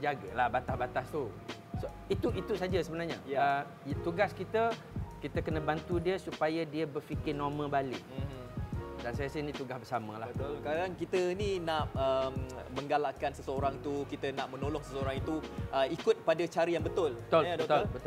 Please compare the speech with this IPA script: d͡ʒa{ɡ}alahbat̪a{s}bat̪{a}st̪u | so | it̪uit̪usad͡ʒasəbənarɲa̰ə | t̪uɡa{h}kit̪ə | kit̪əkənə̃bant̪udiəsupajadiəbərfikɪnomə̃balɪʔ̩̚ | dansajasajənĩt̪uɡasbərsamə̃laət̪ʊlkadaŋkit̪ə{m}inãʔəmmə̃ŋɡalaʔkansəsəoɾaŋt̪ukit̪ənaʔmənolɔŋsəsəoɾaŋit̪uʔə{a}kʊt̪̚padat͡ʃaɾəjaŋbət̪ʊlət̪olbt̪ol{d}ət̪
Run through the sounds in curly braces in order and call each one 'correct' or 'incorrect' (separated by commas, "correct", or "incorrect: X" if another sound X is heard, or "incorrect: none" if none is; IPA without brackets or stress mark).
correct, incorrect: h, correct, incorrect: s, incorrect: n, incorrect: i, incorrect: b